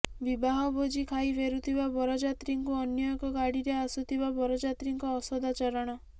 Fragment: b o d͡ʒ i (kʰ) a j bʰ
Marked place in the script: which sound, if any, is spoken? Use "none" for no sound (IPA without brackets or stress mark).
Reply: kʰ